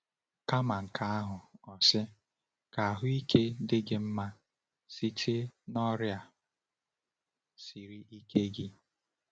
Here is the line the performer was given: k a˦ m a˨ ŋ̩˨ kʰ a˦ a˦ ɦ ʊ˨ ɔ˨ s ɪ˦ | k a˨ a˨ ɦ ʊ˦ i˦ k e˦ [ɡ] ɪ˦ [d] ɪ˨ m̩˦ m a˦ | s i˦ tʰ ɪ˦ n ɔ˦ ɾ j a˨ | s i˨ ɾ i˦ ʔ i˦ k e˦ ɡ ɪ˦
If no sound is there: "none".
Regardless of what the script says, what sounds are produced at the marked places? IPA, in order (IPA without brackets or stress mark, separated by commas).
d, ɡ